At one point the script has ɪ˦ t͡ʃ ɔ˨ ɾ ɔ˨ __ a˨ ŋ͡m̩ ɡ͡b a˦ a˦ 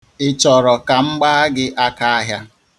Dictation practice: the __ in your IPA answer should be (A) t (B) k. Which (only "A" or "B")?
B